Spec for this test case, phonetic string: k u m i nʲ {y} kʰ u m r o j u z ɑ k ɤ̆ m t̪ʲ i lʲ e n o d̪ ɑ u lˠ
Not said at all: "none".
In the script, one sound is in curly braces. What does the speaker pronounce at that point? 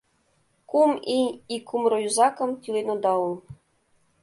i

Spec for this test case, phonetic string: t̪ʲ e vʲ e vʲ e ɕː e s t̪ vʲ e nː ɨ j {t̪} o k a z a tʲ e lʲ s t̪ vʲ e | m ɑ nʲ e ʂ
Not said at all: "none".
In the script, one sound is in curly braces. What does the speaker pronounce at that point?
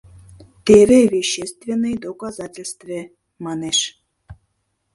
d̪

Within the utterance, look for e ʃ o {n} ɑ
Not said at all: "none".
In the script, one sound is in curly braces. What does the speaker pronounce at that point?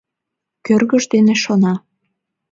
n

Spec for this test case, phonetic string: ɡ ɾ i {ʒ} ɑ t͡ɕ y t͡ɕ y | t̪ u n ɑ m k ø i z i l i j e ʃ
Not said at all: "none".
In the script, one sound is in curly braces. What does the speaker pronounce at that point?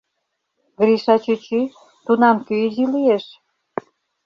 ʃ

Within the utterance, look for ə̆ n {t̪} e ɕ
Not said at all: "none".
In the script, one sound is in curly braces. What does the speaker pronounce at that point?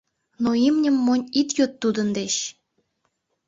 d̪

